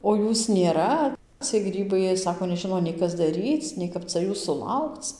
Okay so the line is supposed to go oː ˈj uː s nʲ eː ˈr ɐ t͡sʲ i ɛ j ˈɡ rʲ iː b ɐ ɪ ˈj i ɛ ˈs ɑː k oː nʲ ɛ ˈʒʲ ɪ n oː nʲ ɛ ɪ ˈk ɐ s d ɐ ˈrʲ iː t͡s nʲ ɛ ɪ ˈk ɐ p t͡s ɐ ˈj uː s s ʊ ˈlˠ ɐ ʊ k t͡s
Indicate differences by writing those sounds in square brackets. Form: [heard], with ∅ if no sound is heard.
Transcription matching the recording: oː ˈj uː s nʲ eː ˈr ɐ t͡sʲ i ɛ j ˈɡ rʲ iː b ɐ ɪ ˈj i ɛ ˈs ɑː k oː nʲ ɛ ˈʒʲ ɪ n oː nʲ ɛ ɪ ˈk ɐ s d ɐ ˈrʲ iː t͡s nʲ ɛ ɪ ˈk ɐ p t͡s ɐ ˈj uː s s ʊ ˈlˠ ɐ ʊ k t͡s